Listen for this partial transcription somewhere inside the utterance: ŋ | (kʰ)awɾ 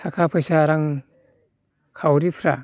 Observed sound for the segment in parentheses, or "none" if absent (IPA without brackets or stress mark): kʰ